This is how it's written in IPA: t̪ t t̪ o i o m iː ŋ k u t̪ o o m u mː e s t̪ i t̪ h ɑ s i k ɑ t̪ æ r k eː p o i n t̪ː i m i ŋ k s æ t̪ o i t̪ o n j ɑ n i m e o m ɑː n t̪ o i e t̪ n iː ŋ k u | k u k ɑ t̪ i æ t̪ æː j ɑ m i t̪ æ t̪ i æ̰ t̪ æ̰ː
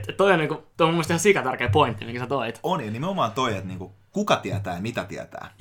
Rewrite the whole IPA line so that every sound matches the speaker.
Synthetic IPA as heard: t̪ t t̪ o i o n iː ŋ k u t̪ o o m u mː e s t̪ i h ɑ s i k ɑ t̪ æ r k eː p o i n t̪ː i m i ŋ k s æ t̪ o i t̪ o n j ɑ n i m e o m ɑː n t̪ o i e t̪ n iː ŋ k u | k u k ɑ t̪ i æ t̪ æː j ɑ m i t̪ æ t̪ i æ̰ t̪ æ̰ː